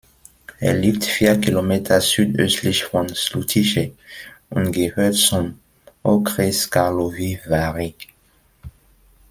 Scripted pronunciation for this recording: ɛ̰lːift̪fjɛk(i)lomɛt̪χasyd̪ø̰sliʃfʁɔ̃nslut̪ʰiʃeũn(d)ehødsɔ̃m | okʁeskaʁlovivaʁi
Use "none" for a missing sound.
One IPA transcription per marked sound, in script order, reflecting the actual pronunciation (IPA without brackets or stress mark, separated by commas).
i, ɡ